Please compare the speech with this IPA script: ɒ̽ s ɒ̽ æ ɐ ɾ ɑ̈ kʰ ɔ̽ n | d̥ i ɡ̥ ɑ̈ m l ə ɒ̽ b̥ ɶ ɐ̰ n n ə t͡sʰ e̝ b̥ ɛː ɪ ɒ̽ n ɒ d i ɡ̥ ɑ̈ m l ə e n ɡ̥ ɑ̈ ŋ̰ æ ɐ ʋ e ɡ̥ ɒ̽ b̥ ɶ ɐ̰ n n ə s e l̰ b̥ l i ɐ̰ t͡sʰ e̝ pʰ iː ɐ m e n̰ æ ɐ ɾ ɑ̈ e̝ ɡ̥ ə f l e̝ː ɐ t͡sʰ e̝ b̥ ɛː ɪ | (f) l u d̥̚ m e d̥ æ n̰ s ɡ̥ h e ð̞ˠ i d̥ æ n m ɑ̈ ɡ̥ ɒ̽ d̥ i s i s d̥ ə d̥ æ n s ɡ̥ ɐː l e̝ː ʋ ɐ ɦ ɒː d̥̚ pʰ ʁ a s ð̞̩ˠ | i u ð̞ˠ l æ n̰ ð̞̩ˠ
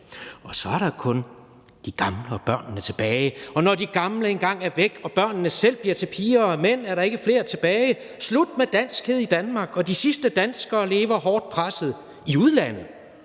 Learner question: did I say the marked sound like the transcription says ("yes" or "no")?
no